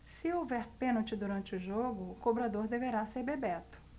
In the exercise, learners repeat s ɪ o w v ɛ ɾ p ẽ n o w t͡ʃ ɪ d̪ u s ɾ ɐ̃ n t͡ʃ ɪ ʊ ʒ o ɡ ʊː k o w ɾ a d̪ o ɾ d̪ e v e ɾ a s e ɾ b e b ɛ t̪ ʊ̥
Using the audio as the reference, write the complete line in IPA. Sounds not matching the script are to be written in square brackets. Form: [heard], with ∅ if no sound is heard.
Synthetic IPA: s ɪ o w v ɛ ɾ p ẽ n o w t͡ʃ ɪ d̪ u [∅] ɾ ɐ̃ n t͡ʃ ɪ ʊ ʒ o ɡ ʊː k o [b] ɾ a d̪ o ɾ d̪ e v e ɾ a s e ɾ b e b ɛ t̪ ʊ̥